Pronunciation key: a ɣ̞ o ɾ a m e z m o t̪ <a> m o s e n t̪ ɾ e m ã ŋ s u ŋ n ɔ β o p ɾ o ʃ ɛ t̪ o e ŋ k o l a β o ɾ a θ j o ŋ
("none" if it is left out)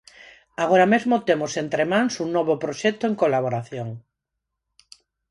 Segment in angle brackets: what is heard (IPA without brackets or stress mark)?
e